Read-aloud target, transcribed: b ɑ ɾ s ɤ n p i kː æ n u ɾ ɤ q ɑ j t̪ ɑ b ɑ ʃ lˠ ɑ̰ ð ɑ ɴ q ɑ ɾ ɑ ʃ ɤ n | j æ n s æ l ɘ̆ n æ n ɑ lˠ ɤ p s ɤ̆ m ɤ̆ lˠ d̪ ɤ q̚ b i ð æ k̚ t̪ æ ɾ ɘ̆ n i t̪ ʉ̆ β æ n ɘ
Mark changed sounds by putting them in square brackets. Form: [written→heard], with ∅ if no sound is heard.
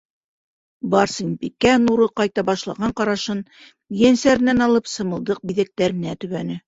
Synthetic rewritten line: b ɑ ɾ s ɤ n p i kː æ n u ɾ ɤ q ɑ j t̪ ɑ b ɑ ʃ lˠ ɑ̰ [ð→ʁ] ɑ ɴ q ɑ ɾ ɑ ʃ ɤ n | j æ n s æ [l→ɾ] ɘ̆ n æ n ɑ lˠ ɤ p s ɤ̆ m ɤ̆ lˠ d̪ ɤ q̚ b i ð æ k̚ t̪ æ ɾ ɘ̆ n [i→æ] t̪ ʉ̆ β æ n ɘ